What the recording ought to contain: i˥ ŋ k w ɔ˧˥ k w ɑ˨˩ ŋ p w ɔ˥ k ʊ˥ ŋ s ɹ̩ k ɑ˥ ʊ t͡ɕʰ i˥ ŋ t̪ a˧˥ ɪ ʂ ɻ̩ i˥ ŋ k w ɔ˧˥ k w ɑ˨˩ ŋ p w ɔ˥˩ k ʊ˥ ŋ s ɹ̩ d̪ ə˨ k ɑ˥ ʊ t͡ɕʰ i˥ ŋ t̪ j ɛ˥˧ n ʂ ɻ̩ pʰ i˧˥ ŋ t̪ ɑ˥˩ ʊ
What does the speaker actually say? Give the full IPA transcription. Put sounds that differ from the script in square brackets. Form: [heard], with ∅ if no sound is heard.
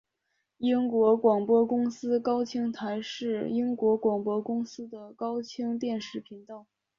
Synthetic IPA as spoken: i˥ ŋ k w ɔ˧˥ k w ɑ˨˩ ŋ p w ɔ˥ k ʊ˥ ŋ s ɹ̩ k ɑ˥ ʊ t͡ɕʰ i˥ ŋ [t̪ʰ] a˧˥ ɪ ʂ ɻ̩ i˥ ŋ k w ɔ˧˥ k w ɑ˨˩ ŋ p w [ɔ˥] k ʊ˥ ŋ s ɹ̩ d̪ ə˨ k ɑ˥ ʊ t͡ɕʰ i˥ ŋ t̪ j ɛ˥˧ n ʂ ɻ̩ pʰ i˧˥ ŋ t̪ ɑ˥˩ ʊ